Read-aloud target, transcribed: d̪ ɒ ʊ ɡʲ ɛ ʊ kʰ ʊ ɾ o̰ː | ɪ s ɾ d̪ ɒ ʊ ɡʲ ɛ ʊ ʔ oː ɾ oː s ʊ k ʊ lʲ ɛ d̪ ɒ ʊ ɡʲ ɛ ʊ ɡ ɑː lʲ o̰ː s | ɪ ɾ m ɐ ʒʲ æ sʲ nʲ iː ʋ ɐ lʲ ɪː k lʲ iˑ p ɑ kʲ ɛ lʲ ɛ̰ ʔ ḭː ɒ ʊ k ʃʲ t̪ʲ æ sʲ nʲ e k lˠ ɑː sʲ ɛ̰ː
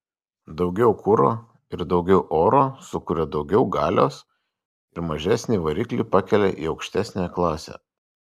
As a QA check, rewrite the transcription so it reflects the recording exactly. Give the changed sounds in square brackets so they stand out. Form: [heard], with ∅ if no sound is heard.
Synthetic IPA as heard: d̪ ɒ ʊ ɡʲ ɛ ʊ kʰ ʊ ɾ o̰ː | ɪ [∅] ɾ d̪ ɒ ʊ ɡʲ ɛ ʊ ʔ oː ɾ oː s ʊ k ʊ [ɾʲ] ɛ d̪ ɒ ʊ ɡʲ ɛ ʊ ɡ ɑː lʲ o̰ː s | ɪ ɾ m ɐ ʒʲ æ sʲ nʲ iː ʋ ɐ [ɾʲ] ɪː k lʲ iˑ p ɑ kʲ ɛ lʲ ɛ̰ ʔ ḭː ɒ ʊ k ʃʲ t̪ʲ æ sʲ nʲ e k lˠ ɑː sʲ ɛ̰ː